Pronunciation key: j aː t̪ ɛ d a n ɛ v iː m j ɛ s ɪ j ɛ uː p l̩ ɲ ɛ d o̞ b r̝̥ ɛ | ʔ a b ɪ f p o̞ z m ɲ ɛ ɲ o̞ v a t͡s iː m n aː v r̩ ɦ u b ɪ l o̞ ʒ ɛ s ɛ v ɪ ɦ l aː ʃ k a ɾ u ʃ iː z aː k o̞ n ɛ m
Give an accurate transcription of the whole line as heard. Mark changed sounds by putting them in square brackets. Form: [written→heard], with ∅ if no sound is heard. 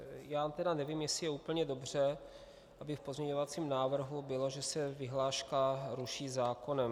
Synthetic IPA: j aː t̪ ɛ d a n ɛ v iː m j ɛ s ɪ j ɛ uː p l̩ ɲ ɛ d o̞ b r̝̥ ɛ | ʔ a b ɪ f p o̞ z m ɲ ɛ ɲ o̞ v a t͡s iː m n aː v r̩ ɦ u b ɪ l o̞ ʒ ɛ s ɛ v ɪ ɦ l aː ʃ k a ɾ u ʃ iː z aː k o̞ n ɛ m